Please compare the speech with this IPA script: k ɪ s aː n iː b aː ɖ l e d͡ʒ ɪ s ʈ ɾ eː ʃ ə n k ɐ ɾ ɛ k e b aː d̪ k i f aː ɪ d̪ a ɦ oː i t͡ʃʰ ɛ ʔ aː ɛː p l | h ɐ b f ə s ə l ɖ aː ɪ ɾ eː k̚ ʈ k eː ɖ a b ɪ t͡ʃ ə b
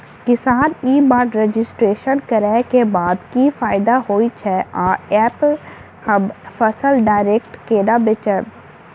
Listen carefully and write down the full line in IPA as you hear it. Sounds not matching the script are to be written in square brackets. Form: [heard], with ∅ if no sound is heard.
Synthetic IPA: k ɪ s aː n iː b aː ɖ [ɾ] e d͡ʒ ɪ s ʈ ɾ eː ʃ ə n k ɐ ɾ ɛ k e b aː d̪ k i f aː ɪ d̪ a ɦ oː i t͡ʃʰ ɛ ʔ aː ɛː p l | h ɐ b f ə s ə l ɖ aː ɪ ɾ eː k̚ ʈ k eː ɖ a b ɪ t͡ʃ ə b